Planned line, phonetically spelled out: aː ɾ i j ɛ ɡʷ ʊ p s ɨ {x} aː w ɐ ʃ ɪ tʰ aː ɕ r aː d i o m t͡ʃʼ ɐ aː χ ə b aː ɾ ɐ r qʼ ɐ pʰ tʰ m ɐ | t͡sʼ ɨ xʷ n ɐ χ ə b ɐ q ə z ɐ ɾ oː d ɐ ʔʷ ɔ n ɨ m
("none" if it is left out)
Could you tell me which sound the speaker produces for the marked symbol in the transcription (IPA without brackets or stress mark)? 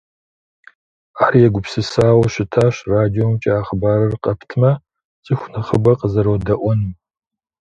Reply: s